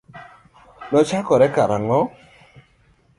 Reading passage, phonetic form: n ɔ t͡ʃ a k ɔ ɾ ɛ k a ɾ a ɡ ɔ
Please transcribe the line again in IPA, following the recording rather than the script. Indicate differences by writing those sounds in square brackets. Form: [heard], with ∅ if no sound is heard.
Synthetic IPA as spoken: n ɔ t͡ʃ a k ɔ ɾ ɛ k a ɾ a [ŋ] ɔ